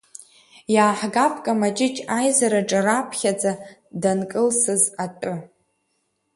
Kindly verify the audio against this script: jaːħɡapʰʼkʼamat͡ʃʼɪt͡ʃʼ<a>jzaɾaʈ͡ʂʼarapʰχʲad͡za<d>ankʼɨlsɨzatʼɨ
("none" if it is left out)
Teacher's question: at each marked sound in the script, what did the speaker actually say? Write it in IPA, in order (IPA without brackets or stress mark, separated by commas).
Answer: a, d